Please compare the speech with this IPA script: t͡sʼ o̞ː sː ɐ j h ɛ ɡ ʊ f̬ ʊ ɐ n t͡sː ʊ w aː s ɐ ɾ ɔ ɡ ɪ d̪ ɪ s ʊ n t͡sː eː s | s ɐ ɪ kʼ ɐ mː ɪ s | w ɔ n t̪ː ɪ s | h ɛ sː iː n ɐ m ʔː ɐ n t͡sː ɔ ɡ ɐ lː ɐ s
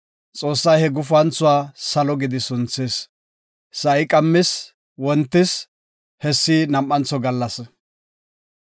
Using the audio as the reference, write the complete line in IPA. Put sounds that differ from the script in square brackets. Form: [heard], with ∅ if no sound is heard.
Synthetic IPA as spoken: t͡sʼ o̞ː sː ɐ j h ɛ ɡ ʊ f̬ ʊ ɐ n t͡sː ʊ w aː s ɐ [l] ɔ ɡ ɪ d̪ ɪ s ʊ n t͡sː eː s | s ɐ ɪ kʼ ɐ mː ɪ s | w ɔ n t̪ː ɪ s | h ɛ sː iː n ɐ m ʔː ɐ n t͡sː ɔ ɡ ɐ lː ɐ s